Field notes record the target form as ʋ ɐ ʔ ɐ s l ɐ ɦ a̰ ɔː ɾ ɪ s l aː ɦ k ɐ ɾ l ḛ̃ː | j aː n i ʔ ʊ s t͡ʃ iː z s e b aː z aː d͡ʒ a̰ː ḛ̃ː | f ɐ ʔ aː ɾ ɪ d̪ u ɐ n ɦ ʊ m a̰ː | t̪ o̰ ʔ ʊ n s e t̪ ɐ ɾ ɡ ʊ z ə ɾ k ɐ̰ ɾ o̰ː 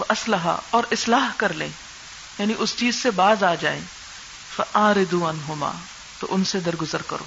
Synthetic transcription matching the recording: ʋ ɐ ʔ ɐ s l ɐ ɦ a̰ ɔː ɾ ɪ s l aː ɦ k ɐ ɾ l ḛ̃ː | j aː n i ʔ ʊ s t͡ʃ iː z s e b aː z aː d͡ʒ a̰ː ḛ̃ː | f ɐ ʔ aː ɾ ɪ d̪ u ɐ n ɦ ʊ m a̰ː | t̪ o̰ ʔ ʊ n s e d̪ ɐ ɾ ɡ ʊ z ə ɾ k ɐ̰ ɾ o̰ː